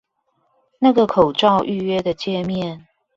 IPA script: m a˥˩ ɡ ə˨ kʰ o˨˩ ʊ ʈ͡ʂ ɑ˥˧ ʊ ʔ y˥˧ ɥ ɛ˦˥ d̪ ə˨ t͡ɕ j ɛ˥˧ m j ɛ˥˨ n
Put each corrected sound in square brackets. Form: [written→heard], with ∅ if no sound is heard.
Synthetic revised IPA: [m→n] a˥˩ ɡ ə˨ kʰ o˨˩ ʊ ʈ͡ʂ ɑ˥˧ ʊ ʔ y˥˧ ɥ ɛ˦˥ d̪ ə˨ t͡ɕ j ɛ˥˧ m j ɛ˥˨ n